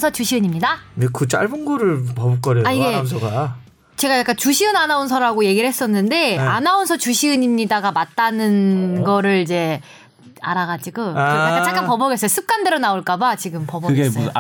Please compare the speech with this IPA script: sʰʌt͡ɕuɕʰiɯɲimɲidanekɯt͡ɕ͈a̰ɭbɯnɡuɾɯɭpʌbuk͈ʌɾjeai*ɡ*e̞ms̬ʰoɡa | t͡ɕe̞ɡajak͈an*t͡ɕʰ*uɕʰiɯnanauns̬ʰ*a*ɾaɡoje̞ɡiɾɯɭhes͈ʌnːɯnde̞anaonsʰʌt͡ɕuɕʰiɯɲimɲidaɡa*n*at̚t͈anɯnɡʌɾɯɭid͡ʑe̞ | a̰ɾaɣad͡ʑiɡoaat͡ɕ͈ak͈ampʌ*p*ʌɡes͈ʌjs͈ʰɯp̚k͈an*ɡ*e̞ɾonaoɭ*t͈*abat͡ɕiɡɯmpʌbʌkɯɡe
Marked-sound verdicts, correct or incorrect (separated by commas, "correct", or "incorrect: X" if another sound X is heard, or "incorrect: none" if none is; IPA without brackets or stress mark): correct, incorrect: t͡ɕ, incorrect: ʌ, incorrect: m, incorrect: b, incorrect: d, incorrect: k͈